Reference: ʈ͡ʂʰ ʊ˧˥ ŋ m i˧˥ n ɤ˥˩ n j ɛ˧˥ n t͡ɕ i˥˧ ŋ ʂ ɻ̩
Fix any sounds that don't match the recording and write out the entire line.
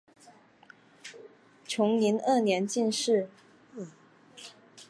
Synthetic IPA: ʈ͡ʂʰ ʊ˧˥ ŋ n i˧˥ n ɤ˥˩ n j ɛ˧˥ n t͡ɕ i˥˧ n ʂ ɻ̩